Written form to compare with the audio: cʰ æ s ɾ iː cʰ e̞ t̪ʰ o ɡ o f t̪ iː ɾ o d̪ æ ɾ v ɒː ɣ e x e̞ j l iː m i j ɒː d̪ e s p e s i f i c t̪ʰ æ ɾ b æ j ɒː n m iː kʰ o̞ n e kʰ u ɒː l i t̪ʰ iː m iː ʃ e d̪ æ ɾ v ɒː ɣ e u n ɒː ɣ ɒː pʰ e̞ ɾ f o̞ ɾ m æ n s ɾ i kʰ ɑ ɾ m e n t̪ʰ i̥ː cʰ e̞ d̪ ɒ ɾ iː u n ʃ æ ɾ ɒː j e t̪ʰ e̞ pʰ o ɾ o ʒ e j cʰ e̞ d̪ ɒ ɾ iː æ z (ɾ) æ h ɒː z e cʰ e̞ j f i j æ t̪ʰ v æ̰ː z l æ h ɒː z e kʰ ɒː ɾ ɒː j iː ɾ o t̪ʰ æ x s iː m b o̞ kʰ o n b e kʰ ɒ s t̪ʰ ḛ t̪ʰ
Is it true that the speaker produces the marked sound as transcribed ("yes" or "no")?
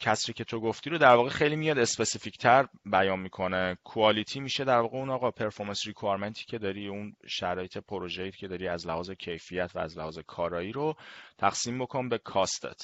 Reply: no